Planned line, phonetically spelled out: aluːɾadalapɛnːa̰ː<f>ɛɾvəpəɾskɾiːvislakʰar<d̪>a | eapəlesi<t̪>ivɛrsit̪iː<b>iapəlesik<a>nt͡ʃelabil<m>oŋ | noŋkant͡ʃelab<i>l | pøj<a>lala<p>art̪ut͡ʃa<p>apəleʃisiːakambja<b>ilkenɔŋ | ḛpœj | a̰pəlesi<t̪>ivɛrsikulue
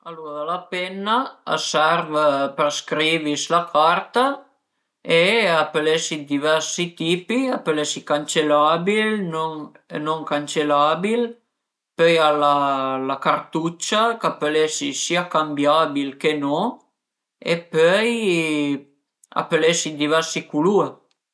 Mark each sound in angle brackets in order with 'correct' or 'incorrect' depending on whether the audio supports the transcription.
incorrect: s, incorrect: t̪, incorrect: d̪, incorrect: p, correct, incorrect: n, correct, correct, incorrect: k, incorrect: k, correct, incorrect: d̪

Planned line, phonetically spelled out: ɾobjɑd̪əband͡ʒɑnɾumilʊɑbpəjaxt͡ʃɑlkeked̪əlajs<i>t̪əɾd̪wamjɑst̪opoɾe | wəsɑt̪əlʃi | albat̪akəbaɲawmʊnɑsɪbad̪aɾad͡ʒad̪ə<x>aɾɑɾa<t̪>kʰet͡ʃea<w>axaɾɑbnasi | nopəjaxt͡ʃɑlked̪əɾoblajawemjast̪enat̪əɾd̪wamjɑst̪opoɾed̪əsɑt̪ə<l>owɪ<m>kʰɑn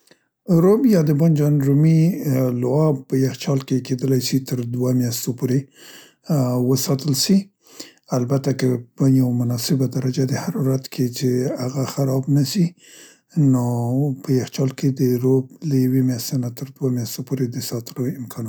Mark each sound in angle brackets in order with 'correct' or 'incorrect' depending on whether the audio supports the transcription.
correct, incorrect: h, correct, incorrect: ɣ, correct, correct

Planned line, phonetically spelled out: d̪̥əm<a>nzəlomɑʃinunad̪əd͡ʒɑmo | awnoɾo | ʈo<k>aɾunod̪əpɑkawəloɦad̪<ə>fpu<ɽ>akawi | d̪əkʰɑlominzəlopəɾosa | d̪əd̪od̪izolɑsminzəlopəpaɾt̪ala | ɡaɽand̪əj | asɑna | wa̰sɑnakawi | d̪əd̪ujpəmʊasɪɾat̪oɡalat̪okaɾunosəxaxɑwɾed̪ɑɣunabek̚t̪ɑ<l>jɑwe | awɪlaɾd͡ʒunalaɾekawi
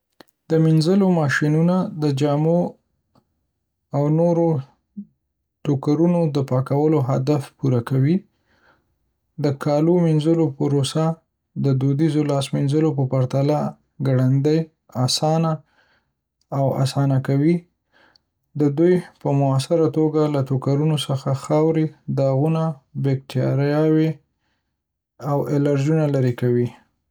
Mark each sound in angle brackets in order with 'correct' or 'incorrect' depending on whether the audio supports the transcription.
incorrect: i, correct, incorrect: a, incorrect: ɾ, incorrect: ɾ

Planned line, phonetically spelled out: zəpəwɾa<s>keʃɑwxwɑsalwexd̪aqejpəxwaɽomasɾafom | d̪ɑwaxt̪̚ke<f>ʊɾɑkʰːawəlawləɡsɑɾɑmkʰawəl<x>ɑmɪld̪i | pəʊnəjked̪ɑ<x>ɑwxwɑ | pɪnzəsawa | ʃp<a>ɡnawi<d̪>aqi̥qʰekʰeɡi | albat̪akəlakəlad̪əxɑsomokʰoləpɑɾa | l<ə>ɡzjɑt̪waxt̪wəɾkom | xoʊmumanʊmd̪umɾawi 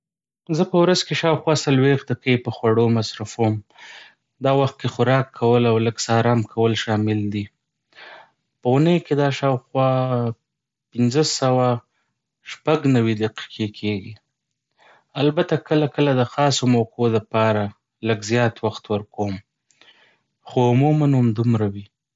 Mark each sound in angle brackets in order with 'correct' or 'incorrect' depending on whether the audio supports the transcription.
incorrect: z, incorrect: x, incorrect: ʃ, incorrect: ʃ, correct, correct, correct

